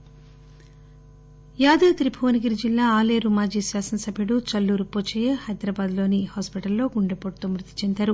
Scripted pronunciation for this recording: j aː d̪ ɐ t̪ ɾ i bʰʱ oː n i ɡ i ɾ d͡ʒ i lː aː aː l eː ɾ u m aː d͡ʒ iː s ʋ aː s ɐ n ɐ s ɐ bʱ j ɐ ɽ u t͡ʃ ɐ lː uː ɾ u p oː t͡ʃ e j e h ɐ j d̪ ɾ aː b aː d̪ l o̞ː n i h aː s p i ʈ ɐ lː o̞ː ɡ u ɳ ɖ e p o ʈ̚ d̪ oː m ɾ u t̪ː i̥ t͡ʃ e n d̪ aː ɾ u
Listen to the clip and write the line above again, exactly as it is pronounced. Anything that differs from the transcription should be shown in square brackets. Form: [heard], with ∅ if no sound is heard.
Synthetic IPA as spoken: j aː d̪ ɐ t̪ ɾ i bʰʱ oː n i ɡ i ɾ d͡ʒ i lː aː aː l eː ɾ u m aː d͡ʒ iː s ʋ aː s ɐ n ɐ s ɐ bʱ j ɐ ɽ u t͡ʃ ɐ lː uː ɾ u p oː t͡ʃ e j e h ɐ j d̪ ɾ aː b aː d̪ l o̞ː n i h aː s p i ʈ ɐ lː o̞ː ɡ u ɳ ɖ e p o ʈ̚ [t̪] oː m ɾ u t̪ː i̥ t͡ʃ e n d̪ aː ɾ u

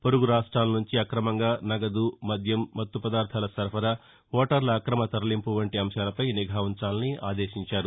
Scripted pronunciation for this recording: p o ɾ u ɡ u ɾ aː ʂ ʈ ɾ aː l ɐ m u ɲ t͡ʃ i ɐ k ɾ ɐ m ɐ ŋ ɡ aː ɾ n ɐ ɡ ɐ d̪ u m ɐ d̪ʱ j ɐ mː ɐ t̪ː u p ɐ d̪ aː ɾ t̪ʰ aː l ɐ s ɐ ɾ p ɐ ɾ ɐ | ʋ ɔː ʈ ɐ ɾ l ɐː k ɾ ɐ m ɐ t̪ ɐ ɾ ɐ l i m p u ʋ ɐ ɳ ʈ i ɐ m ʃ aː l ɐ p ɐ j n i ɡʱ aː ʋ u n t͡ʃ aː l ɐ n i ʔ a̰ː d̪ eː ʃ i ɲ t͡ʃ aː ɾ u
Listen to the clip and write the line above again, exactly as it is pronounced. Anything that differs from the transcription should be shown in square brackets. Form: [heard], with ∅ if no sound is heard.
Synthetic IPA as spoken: p o ɾ u ɡ u ɾ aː ʂ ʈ ɾ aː l ɐ [n] u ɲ t͡ʃ i ɐ k ɾ ɐ m ɐ ŋ ɡ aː [∅] n ɐ ɡ ɐ d̪ u m ɐ d̪ʱ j ɐ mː ɐ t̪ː u p ɐ d̪ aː ɾ t̪ʰ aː l ɐ s ɐ ɾ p ɐ ɾ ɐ | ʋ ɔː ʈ ɐ ɾ l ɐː k ɾ ɐ m ɐ t̪ ɐ ɾ ɐ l i m p u ʋ ɐ ɳ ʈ i ɐ m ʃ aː l ɐ p ɐ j n i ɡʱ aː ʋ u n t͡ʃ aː l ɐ n i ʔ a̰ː d̪ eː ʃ i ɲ t͡ʃ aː ɾ u

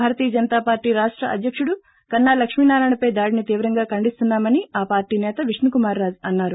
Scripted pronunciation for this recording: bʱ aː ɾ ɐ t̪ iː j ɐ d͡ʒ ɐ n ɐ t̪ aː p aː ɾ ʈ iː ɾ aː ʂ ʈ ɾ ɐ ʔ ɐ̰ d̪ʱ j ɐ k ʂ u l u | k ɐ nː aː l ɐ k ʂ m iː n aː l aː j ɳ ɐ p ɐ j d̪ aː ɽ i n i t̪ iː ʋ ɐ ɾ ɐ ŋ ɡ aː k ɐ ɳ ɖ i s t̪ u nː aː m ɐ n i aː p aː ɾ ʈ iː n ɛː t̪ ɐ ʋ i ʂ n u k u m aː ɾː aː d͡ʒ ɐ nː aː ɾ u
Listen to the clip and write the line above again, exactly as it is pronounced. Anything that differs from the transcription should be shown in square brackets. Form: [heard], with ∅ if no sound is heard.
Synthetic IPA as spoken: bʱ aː ɾ ɐ t̪ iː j ɐ d͡ʒ ɐ n ɐ t̪ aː p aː ɾ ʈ iː ɾ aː ʂ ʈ ɾ ɐ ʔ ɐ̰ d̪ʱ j ɐ k ʂ u [ɽ] u | k ɐ nː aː l ɐ k ʂ m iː n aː [ɾ] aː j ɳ ɐ p ɐ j d̪ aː ɽ i n i t̪ iː ʋ ɐ ɾ ɐ ŋ ɡ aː k ɐ ɳ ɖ i s t̪ u nː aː m ɐ n i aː p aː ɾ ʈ iː n ɛː t̪ ɐ ʋ i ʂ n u k u m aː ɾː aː d͡ʒ ɐ nː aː ɾ u

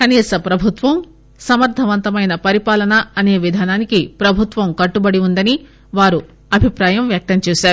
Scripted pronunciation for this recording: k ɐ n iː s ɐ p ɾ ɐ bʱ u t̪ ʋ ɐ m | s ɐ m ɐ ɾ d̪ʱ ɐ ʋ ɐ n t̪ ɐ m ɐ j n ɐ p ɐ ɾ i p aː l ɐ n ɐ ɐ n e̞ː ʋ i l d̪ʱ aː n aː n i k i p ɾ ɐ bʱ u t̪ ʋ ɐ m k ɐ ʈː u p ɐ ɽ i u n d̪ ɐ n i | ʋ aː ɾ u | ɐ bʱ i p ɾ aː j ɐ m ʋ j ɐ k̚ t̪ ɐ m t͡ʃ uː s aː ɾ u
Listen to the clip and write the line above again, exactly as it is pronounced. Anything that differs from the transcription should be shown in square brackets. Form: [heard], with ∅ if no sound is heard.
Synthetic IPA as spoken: k ɐ n iː s ɐ p ɾ ɐ bʱ u t̪ ʋ ɐ m | s ɐ m ɐ ɾ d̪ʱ ɐ ʋ ɐ n t̪ ɐ m ɐ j n ɐ p ɐ ɾ i p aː l ɐ n ɐ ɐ n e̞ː ʋ i [∅] d̪ʱ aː n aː n i k i p ɾ ɐ bʱ u t̪ ʋ ɐ m k ɐ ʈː u [b] ɐ ɽ i u n d̪ ɐ n i | ʋ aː ɾ u | ɐ bʱ i p ɾ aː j ɐ m ʋ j ɐ k̚ t̪ ɐ m t͡ʃ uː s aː ɾ u

